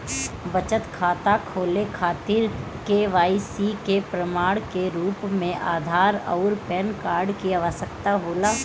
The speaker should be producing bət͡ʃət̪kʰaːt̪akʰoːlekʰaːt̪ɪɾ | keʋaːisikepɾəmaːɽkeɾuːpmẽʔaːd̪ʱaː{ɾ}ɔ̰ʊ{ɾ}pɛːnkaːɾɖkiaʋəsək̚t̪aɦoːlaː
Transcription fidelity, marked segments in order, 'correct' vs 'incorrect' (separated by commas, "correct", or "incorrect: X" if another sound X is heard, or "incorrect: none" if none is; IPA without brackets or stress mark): correct, correct